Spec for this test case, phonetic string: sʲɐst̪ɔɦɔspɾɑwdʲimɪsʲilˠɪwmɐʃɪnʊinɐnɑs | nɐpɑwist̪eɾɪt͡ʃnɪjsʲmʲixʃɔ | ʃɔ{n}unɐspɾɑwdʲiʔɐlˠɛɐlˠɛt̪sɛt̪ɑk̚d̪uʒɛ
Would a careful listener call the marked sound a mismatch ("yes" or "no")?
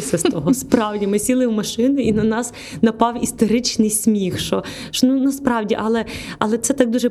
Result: no